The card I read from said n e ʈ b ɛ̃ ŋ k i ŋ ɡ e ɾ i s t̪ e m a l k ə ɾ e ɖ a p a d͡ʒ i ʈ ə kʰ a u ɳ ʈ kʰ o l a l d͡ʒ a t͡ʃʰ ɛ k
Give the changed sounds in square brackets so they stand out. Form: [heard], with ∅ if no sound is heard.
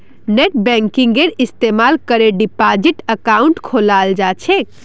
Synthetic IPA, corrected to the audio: n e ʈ b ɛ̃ ŋ k i ŋ ɡ e ɾ i s t̪ e m a l k ə ɾ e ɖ [i] p a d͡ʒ i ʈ ə [k] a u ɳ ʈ kʰ o l a l d͡ʒ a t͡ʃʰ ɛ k

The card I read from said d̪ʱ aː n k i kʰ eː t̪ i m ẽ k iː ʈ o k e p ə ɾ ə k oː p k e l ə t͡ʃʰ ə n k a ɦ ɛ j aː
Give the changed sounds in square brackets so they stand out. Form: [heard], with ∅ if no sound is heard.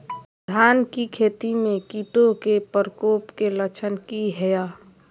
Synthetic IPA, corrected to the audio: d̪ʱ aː n k i kʰ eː t̪ i m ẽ k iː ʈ o k e p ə ɾ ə k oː p k e l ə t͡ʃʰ ə n k [i] ɦ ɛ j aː

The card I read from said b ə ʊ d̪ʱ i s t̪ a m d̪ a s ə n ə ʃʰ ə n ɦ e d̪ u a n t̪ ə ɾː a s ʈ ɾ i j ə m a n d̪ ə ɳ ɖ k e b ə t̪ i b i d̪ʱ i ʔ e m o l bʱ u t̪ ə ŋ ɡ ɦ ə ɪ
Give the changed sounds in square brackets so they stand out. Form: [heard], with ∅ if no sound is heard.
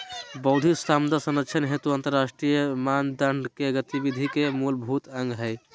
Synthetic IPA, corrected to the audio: b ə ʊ d̪ʱ i s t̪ a m d̪ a s ə n ə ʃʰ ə n ɦ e [t̪] u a n t̪ ə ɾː a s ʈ ɾ i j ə m a n d̪ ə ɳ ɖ k e [ɡ] ə t̪ i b i d̪ʱ i [k] e m [u] l bʱ u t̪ ə ŋ ɡ ɦ ə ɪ

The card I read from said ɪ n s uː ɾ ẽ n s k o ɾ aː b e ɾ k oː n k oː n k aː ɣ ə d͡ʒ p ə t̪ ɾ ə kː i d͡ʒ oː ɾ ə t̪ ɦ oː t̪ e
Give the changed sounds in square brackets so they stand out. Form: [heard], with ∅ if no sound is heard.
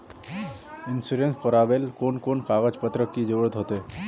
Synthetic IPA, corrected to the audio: ɪ n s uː ɾ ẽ n s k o ɾ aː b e [l] k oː n k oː n k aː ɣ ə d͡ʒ p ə t̪ ɾ ə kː i d͡ʒ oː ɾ ə t̪ ɦ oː t̪ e

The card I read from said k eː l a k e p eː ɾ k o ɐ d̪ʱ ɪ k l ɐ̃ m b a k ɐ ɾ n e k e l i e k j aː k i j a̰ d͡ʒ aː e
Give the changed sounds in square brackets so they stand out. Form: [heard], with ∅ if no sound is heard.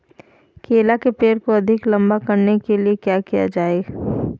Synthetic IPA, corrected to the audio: k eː l a k e p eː ɾ k o ɐ d̪ʱ ɪ k l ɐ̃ m b a k ɐ ɾ n e k e l i e k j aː k i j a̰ d͡ʒ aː e

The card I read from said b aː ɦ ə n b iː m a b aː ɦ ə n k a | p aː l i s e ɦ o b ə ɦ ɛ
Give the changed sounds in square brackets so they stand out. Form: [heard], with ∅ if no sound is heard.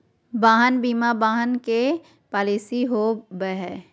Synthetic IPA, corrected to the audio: b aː ɦ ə n b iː m a b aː ɦ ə n k [e] | p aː l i s [i] ɦ o b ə ɦ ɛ

